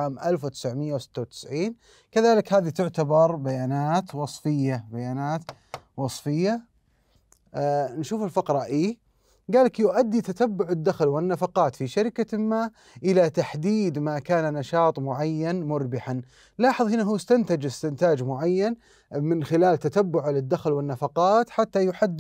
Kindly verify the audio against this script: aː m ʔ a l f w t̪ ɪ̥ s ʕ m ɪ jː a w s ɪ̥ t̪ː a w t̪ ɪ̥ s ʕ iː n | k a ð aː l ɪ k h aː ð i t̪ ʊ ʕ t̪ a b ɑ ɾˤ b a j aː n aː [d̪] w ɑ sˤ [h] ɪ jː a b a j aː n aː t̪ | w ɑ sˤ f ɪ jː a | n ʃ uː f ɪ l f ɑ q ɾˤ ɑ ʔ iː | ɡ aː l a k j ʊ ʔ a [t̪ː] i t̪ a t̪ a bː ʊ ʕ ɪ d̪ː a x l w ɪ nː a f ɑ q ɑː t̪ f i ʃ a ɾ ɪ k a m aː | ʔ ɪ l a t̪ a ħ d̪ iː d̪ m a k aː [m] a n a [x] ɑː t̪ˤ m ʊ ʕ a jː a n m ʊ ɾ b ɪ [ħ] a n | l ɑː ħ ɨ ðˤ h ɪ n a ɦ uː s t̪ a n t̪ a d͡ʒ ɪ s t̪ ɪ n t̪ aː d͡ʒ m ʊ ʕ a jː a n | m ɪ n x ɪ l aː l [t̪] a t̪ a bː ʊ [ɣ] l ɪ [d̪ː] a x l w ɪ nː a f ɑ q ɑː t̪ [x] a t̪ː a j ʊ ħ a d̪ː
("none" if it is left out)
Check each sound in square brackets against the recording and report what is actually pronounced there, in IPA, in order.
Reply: t̪, f, d̪ː, n, ʃ, ħ, t̪, ʕ, d̪ː, ħ

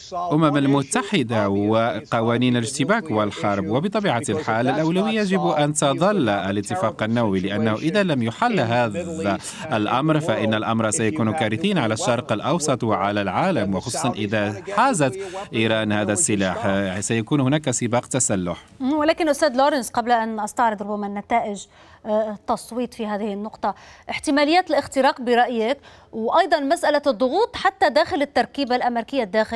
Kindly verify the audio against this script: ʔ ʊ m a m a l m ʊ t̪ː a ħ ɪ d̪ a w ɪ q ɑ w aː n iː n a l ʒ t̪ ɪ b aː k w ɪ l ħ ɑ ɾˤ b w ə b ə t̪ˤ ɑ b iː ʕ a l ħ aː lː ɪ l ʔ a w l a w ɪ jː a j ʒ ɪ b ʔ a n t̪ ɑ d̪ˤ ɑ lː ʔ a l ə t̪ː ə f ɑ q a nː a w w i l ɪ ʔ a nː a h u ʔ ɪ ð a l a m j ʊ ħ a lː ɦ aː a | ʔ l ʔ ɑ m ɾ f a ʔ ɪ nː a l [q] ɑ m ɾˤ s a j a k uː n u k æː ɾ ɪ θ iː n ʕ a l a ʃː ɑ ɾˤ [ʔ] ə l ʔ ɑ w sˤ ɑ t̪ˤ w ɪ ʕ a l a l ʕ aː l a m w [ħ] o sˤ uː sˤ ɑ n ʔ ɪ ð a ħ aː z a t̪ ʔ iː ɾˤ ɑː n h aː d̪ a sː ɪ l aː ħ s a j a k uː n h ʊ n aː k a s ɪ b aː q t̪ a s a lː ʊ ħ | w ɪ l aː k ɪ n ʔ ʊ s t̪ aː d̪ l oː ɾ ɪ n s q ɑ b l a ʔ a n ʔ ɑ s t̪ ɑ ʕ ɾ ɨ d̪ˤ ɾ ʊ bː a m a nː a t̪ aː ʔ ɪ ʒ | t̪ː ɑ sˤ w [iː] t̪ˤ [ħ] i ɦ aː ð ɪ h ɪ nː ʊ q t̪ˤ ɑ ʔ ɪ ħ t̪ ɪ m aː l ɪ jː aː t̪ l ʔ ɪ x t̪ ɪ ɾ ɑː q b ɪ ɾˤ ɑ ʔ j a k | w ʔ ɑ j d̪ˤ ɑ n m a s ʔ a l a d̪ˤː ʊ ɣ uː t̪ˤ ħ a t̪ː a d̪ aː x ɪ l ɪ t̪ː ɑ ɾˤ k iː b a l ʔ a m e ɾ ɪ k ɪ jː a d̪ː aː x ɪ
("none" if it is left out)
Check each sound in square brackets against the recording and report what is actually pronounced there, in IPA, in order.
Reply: ʔ, q, x, iː, f

